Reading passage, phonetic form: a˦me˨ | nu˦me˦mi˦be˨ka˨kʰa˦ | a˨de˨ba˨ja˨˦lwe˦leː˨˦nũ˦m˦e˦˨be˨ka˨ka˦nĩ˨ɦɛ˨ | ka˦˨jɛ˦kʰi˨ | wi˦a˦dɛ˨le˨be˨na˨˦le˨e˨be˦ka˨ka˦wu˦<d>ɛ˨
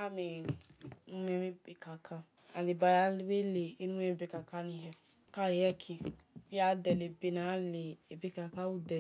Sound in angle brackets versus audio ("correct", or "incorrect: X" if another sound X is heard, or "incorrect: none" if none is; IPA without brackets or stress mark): correct